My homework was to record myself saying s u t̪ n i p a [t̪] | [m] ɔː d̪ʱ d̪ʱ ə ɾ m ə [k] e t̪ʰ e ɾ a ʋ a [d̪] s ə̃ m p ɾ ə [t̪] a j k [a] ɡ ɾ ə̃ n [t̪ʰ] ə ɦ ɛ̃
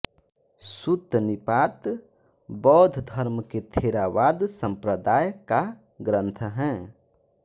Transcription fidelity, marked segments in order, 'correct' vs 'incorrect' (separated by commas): correct, incorrect, correct, correct, incorrect, correct, correct